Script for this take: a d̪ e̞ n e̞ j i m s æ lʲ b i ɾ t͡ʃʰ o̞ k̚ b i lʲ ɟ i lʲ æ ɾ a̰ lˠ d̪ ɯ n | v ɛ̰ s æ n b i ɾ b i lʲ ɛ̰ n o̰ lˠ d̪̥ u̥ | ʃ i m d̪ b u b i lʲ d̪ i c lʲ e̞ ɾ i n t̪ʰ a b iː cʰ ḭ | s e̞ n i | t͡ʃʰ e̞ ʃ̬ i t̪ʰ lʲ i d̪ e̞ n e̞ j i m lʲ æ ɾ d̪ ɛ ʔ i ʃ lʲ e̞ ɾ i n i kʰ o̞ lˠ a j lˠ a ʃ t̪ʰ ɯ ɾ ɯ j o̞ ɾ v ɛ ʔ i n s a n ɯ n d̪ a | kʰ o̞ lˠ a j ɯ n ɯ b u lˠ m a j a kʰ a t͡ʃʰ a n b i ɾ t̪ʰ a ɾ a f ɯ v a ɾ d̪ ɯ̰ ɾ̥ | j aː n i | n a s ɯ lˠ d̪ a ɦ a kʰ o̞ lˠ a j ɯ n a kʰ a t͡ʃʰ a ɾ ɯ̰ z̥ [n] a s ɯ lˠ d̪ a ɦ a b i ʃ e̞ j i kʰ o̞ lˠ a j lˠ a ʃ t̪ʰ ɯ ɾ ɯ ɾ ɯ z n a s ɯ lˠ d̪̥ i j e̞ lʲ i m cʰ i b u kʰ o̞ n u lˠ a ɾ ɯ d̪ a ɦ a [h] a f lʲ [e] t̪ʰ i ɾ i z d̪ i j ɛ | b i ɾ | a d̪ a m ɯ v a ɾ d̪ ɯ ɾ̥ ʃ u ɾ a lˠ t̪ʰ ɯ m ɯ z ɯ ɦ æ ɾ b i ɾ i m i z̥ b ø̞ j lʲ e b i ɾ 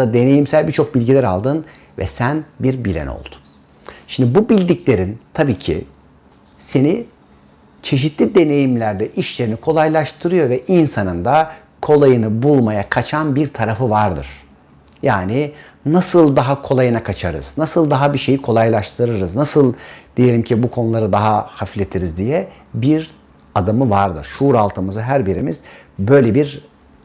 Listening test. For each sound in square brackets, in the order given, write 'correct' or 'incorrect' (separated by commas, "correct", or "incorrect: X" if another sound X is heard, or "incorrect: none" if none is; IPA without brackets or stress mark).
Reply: correct, correct, correct